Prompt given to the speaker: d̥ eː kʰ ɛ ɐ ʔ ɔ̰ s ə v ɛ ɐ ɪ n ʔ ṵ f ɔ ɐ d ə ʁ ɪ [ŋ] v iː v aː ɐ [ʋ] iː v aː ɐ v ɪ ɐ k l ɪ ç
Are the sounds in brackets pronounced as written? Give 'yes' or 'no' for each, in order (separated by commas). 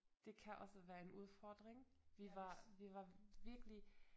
yes, no